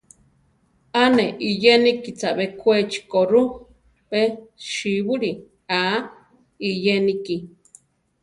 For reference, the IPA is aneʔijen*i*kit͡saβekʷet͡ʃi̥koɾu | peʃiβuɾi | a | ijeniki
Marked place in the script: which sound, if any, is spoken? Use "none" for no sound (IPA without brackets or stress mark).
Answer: i